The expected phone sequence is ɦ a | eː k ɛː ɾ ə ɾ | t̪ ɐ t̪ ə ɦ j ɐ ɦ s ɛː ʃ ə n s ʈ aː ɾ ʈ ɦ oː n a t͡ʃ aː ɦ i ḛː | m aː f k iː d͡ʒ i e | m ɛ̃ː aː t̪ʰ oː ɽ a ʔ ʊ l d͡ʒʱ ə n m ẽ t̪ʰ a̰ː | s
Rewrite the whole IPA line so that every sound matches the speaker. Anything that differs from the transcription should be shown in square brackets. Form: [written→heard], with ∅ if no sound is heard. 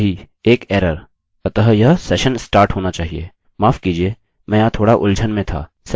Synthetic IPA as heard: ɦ [a→i] | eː k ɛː ɾ ə ɾ | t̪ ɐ t̪ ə ɦ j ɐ ɦ s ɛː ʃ ə n s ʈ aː ɾ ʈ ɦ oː n a t͡ʃ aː ɦ i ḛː | m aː f k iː d͡ʒ i e | m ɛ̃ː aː t̪ʰ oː ɽ a ʔ ʊ l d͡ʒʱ ə n m ẽ t̪ʰ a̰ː | s